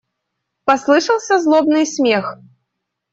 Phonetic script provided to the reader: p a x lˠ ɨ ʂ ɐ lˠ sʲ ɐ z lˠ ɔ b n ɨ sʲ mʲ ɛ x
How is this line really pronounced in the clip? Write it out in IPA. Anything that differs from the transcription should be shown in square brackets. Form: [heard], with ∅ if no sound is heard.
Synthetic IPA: p a [s] lˠ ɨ ʂ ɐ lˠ sʲ ɐ z lˠ ɔ b n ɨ sʲ mʲ ɛ x

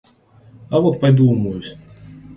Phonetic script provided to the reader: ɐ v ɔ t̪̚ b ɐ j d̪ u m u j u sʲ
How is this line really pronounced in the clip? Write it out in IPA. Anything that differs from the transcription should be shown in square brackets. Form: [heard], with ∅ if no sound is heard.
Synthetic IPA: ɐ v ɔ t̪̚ [p] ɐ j d̪ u m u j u sʲ

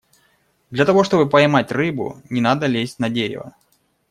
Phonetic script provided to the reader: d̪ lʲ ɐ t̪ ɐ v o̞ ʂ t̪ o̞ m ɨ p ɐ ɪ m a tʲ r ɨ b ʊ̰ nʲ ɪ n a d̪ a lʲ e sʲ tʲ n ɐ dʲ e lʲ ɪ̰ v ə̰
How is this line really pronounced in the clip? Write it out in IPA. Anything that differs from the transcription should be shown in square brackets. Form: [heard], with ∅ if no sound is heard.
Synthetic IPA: d̪ lʲ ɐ t̪ ɐ v o̞ ʂ t̪ o̞ [b] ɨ p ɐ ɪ m a tʲ r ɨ b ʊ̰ nʲ ɪ n a d̪ [ə] lʲ e sʲ tʲ n ɐ dʲ e [ɾʲ] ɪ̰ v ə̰

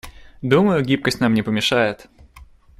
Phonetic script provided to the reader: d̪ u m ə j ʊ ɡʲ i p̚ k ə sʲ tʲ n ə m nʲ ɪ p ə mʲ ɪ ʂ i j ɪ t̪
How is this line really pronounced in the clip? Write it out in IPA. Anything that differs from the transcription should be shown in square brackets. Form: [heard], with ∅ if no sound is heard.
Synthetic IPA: d̪ u m ə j ʊ ɡʲ i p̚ k ə sʲ tʲ n [a] m nʲ ɪ p ə mʲ ɪ ʂ [a] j ɪ t̪

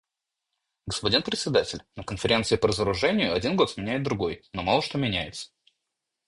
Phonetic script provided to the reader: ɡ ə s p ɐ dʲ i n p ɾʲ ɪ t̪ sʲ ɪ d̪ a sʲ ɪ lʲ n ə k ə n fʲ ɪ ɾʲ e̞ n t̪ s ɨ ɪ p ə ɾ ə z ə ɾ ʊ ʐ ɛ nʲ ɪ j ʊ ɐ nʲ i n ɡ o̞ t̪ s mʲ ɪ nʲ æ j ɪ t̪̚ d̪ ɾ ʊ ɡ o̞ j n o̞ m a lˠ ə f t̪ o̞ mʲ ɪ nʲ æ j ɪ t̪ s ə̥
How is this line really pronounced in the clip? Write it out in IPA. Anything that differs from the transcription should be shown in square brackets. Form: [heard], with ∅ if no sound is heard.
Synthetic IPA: ɡ ə s p ɐ dʲ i n p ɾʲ ɪ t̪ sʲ ɪ d̪ a [tʲ] ɪ lʲ n ə k ə n fʲ ɪ ɾʲ e̞ n t̪ s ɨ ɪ p ə ɾ ə z ə ɾ ʊ ʐ ɛ nʲ ɪ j ʊ ɐ [dʲ] i n ɡ o̞ t̪ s mʲ ɪ nʲ æ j ɪ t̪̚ d̪ ɾ ʊ ɡ o̞ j n o̞ m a lˠ ə [ʂ] t̪ o̞ mʲ ɪ nʲ æ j ɪ t̪ s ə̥

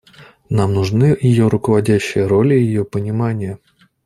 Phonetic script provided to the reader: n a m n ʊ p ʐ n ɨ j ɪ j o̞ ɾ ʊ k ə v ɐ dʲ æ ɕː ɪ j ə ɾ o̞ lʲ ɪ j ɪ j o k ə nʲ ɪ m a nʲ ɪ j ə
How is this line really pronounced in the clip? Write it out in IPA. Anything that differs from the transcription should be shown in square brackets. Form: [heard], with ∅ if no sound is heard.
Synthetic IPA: n a m n ʊ [∅] ʐ n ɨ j ɪ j o̞ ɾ ʊ k ə v ɐ dʲ æ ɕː ɪ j ə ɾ o̞ lʲ ɪ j ɪ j o [p] ə nʲ ɪ m a nʲ ɪ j ə

